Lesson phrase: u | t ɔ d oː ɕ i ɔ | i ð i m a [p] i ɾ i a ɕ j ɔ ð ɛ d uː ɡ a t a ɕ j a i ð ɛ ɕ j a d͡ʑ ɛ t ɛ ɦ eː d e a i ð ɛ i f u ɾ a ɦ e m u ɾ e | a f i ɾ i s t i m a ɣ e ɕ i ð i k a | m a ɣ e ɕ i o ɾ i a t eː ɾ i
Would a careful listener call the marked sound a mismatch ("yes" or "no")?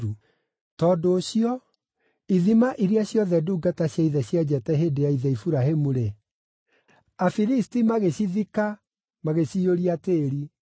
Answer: yes